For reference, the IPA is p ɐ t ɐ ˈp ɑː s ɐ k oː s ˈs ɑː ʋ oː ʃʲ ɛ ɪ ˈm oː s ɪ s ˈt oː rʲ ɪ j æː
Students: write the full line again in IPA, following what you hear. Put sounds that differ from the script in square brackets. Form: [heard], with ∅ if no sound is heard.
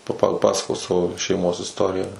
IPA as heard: p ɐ [p] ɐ ˈp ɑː s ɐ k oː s ˈs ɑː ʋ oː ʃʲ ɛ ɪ ˈm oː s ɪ s ˈt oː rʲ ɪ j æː